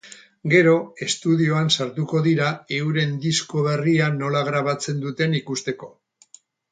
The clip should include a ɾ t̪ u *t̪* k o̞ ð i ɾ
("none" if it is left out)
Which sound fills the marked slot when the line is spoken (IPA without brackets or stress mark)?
none